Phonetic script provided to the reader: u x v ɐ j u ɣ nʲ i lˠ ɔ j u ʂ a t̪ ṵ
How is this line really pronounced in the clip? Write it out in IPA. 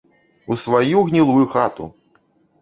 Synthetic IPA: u s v a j u ɣ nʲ i lˠ u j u x a t̪ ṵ